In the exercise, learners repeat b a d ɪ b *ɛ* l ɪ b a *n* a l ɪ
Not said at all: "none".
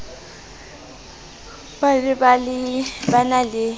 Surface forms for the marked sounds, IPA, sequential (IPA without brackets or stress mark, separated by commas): a, n